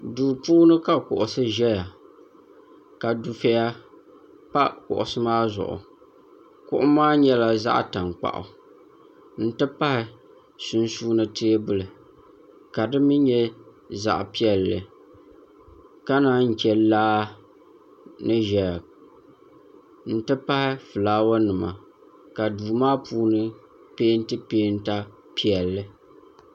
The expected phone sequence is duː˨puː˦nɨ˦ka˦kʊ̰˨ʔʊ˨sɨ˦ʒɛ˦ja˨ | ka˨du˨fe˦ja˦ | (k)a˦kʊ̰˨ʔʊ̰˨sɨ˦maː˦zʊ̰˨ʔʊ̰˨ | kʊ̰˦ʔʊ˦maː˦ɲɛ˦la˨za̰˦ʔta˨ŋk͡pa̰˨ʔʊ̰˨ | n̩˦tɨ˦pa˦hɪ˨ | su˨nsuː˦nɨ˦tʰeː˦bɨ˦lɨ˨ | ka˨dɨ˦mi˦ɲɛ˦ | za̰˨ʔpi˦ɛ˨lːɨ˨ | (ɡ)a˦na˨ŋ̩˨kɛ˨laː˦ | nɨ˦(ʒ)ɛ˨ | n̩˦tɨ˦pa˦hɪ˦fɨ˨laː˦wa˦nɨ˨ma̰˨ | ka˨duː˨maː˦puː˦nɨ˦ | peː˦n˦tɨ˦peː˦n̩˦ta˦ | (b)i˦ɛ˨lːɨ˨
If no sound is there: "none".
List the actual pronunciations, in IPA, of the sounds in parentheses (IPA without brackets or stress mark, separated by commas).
p, k, ʒ, p